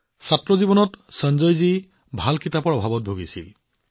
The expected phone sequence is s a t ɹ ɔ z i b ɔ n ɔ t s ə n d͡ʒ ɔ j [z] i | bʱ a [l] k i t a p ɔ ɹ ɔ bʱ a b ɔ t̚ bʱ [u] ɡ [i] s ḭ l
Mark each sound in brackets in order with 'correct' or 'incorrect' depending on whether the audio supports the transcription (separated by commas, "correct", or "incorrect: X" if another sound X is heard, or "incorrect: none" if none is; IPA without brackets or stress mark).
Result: correct, correct, incorrect: o, correct